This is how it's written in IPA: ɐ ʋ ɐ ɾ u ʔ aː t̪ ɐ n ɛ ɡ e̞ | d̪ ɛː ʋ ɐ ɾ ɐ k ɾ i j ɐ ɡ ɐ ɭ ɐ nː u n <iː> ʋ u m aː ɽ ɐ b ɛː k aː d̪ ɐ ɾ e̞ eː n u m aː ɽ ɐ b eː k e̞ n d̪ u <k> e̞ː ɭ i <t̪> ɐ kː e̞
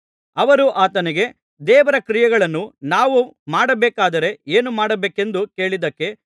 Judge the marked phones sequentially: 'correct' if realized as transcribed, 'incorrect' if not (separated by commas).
incorrect, correct, incorrect